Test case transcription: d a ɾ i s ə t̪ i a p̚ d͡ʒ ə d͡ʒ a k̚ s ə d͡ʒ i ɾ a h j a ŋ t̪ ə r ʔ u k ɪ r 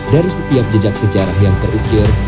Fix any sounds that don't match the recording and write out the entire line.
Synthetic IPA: d a ɾ i s ə t̪ i a p̚ d͡ʒ ə d͡ʒ a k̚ s ə d͡ʒ a ɾ a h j a ŋ t̪ ə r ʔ u k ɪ r